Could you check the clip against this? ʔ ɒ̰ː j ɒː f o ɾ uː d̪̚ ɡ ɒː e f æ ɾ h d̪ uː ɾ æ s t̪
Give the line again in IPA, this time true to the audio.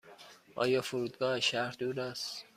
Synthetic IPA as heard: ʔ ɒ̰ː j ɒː f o ɾ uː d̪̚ ɡ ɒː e ʃ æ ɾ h d̪ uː ɾ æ s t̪